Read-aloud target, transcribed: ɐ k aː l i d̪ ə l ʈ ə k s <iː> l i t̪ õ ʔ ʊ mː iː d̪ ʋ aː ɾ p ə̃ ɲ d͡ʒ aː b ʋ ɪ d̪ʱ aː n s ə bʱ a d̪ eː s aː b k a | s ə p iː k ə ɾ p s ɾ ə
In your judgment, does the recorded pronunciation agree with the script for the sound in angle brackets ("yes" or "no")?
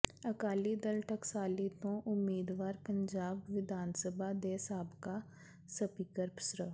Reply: no